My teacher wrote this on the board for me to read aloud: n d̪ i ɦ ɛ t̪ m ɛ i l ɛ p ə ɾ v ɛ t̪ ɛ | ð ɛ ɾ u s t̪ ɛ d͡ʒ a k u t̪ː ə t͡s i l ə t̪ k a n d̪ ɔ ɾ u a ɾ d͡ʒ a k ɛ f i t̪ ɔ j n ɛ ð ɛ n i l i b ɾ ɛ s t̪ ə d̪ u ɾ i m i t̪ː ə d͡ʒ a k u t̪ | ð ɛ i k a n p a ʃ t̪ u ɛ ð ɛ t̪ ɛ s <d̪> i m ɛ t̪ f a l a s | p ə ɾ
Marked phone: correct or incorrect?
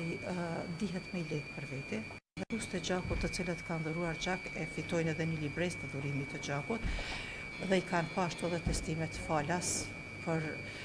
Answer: incorrect: t̪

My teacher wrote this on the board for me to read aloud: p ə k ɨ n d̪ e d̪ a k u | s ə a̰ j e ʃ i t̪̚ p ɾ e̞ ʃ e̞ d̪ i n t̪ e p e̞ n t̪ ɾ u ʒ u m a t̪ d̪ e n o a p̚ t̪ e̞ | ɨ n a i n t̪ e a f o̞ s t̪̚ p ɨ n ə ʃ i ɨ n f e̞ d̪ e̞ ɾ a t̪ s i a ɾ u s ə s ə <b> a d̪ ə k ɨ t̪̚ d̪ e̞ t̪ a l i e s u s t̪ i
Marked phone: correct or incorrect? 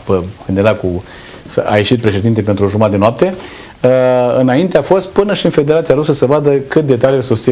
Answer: incorrect: v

